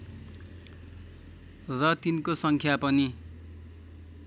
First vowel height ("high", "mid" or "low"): mid